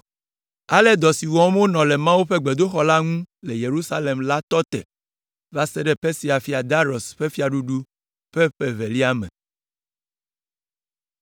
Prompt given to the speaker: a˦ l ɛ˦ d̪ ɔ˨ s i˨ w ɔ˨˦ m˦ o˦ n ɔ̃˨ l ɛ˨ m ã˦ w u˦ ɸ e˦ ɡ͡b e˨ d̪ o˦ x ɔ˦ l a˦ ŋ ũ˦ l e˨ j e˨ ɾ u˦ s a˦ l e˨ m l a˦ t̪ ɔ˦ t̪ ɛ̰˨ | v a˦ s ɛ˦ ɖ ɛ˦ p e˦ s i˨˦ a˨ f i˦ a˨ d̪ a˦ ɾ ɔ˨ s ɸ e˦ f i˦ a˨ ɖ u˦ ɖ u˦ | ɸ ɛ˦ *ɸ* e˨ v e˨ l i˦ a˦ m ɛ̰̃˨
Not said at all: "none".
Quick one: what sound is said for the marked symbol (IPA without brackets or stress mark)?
ɸ